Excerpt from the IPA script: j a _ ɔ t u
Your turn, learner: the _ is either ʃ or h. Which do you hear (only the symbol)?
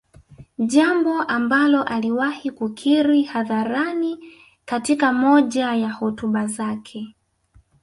h